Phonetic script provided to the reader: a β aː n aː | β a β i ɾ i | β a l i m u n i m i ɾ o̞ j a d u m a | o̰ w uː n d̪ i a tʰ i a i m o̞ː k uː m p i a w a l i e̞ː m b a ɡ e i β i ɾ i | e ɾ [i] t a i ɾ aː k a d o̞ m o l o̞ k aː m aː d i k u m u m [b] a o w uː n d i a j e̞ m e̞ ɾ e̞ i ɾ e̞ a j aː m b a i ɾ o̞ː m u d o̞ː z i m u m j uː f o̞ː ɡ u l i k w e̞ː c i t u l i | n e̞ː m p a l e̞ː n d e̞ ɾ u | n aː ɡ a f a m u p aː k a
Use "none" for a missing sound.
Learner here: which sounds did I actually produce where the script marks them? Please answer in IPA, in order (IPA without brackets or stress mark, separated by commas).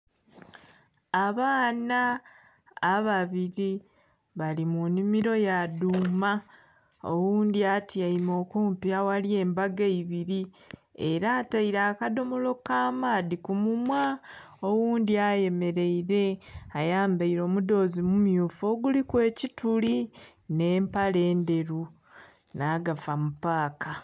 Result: a, w